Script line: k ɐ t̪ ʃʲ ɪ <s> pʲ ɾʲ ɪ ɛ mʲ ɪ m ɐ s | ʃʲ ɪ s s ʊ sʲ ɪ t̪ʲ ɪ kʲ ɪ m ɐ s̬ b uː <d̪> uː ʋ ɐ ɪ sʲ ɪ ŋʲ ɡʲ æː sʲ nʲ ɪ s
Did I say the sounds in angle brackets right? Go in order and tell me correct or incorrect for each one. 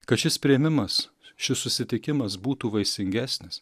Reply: correct, incorrect: t̪

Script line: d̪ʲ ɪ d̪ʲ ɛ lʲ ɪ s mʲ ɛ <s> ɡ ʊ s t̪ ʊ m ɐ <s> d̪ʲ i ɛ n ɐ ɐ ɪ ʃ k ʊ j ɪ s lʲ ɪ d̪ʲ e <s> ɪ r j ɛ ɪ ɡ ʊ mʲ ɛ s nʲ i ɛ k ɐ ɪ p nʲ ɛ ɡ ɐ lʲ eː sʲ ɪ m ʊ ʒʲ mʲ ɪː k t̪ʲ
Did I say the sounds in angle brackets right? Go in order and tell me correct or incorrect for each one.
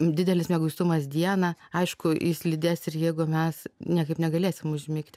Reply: incorrect: none, correct, correct

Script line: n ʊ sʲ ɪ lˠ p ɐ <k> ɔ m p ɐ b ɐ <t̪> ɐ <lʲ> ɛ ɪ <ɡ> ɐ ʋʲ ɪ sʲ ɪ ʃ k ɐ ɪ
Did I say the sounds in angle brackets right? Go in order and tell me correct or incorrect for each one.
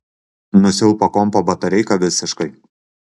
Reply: correct, correct, incorrect: ɾʲ, incorrect: k

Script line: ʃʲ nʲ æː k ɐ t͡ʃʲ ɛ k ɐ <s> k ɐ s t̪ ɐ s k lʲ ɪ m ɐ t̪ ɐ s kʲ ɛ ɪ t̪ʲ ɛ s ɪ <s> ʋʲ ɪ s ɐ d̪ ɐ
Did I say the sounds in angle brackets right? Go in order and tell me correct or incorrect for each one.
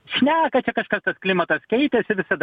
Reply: incorrect: ʃ, incorrect: none

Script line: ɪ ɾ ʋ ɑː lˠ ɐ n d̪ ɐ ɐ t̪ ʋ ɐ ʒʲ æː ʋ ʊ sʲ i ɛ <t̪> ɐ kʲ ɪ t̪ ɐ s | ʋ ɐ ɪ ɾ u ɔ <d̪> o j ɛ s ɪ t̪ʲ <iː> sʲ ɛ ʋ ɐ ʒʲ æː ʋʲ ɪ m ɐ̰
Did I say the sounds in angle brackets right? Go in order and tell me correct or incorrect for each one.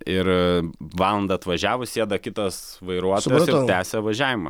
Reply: incorrect: d̪, incorrect: t̪, incorrect: æː

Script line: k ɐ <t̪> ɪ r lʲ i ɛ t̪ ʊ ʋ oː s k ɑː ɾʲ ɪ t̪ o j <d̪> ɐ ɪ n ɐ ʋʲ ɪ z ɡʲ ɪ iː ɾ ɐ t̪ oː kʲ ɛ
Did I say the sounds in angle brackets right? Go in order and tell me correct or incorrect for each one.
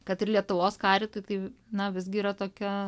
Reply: correct, incorrect: t̪

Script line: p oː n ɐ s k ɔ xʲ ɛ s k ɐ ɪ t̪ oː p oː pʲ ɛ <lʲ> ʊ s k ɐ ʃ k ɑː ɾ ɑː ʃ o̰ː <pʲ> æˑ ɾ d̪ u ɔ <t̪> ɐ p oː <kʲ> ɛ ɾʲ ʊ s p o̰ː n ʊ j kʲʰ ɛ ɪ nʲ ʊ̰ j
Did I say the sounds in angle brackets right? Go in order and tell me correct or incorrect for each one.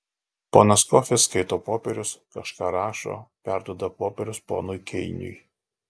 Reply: incorrect: ɾʲ, correct, incorrect: d̪, incorrect: pʲ

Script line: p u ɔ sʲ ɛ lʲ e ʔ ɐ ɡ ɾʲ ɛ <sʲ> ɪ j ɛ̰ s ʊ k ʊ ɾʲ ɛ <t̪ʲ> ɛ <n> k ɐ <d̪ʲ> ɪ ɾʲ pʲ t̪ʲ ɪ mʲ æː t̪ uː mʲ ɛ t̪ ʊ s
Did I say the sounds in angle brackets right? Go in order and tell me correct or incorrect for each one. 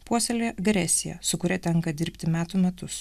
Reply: correct, correct, incorrect: ŋ, correct

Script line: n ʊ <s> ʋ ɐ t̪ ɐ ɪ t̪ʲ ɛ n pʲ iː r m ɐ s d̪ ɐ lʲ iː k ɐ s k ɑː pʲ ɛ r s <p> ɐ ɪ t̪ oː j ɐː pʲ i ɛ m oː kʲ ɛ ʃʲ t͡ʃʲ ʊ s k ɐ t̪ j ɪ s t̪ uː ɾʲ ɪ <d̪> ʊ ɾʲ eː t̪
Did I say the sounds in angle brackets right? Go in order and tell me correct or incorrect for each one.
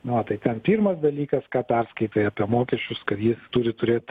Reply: incorrect: none, incorrect: k, incorrect: t̪

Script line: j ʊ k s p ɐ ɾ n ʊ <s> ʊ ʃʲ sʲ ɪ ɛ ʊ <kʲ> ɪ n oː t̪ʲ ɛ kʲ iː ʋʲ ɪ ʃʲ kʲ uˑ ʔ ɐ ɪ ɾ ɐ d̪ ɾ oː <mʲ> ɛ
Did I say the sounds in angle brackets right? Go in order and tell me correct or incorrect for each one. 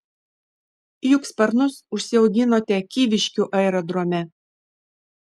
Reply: correct, incorrect: ɡʲ, correct

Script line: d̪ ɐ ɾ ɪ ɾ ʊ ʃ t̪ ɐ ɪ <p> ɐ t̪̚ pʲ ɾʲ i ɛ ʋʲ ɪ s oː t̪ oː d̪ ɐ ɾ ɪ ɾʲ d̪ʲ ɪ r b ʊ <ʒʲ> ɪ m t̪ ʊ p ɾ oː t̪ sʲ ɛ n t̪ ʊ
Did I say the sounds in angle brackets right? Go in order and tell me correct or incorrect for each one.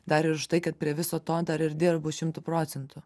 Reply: incorrect: k, incorrect: ʃʲ

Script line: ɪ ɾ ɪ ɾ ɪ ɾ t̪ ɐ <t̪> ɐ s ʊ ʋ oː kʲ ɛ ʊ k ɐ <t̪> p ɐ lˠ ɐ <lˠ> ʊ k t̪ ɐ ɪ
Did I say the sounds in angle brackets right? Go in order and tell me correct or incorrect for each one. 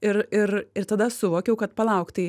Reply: incorrect: d̪, correct, incorrect: none

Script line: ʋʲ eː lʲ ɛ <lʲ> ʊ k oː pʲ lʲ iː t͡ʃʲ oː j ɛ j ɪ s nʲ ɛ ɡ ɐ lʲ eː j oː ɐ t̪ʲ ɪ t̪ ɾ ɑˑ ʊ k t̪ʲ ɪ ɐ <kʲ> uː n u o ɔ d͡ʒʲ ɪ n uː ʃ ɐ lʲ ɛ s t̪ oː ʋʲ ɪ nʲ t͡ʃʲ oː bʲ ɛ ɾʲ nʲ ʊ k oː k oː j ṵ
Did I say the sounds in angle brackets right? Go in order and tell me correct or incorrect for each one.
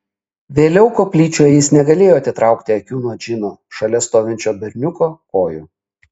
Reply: incorrect: none, correct

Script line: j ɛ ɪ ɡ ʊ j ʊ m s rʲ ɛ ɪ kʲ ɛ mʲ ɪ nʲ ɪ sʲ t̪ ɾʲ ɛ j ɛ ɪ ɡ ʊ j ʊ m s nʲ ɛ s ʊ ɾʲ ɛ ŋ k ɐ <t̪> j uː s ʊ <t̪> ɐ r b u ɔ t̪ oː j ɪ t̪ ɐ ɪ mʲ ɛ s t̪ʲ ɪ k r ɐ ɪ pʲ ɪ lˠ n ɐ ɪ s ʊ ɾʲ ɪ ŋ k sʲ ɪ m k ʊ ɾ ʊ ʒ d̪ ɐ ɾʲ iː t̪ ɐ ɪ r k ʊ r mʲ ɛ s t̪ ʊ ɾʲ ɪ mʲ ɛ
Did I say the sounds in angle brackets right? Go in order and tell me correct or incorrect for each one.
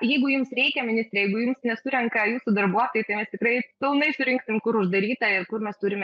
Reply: incorrect: none, incorrect: d̪

